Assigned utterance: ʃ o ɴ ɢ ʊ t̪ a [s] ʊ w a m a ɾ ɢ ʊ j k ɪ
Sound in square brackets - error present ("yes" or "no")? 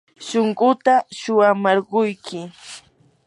yes